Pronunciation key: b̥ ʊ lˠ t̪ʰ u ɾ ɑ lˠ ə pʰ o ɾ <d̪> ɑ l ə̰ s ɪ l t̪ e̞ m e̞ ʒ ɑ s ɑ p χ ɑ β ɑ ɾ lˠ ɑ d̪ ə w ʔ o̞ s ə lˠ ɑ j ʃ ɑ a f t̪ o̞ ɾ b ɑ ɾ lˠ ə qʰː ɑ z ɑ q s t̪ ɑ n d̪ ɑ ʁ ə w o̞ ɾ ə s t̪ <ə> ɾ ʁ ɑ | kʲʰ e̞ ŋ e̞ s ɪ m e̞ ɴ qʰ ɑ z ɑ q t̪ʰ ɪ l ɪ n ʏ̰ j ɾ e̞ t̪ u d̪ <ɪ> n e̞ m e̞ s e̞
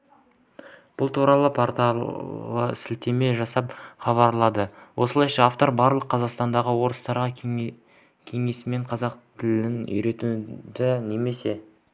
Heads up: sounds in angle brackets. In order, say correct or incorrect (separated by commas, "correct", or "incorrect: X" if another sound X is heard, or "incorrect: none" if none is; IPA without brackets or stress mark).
incorrect: t̪, incorrect: ɑ, correct